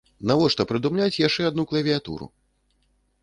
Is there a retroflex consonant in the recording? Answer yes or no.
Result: yes